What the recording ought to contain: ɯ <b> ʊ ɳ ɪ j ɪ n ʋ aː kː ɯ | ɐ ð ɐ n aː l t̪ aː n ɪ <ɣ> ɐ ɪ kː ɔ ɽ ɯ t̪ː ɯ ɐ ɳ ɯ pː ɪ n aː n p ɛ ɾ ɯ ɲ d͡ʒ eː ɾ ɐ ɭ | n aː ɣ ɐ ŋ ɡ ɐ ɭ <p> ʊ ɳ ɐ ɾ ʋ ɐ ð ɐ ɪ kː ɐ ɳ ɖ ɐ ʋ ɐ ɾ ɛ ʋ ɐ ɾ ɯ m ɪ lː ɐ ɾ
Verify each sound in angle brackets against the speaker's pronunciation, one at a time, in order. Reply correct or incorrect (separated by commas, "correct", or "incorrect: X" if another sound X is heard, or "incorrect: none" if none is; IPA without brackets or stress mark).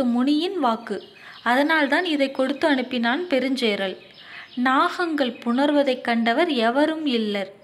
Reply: incorrect: m, incorrect: ð, correct